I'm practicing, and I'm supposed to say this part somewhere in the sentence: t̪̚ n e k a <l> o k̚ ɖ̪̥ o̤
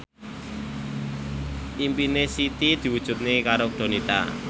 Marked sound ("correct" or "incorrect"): incorrect